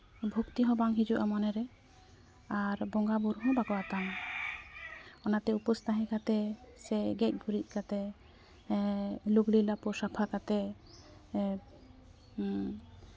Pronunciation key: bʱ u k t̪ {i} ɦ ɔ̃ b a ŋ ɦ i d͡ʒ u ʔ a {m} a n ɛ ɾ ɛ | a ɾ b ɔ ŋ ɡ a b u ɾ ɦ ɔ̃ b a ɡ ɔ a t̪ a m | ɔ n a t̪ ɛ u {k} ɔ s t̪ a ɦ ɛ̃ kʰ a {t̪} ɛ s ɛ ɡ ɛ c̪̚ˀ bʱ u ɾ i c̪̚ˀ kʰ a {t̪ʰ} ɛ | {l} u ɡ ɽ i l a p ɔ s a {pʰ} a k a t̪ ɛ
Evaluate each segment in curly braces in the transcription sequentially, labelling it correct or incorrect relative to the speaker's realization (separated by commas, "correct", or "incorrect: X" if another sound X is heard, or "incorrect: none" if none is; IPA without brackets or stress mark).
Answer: correct, correct, incorrect: p, correct, incorrect: t̪, correct, correct